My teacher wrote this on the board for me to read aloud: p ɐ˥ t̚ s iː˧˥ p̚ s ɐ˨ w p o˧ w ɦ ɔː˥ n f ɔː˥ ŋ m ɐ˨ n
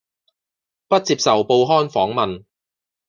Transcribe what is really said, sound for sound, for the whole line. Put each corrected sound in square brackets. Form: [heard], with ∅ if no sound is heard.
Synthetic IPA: p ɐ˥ t̚ [t͡s] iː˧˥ p̚ s ɐ˨ w p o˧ w ɦ ɔː˥ n f [ɔː˨˥] ŋ m ɐ˨ n